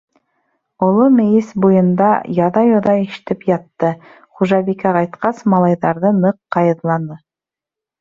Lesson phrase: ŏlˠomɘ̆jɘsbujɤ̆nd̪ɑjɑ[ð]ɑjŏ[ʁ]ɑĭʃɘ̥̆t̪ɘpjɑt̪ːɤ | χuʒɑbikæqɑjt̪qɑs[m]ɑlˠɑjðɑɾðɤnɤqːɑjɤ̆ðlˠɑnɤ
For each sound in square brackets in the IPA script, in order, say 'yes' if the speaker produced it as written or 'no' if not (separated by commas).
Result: yes, no, yes